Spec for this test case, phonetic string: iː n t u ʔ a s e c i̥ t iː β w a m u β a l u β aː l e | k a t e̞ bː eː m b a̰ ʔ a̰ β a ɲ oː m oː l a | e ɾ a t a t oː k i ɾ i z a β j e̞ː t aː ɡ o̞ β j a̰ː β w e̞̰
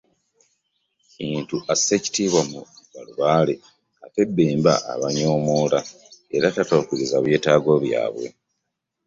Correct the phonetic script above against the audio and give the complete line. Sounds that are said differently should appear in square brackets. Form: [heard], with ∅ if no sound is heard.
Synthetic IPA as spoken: iː n t u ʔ a s e c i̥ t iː β w a m u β a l u β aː l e | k a t e̞ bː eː m b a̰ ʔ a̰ β a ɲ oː m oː l a | e ɾ a t a t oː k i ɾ i z a β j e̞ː t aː ɡ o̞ β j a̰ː β w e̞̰